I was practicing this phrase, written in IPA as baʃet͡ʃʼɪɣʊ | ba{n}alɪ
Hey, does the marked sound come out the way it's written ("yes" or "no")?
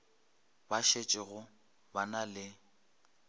yes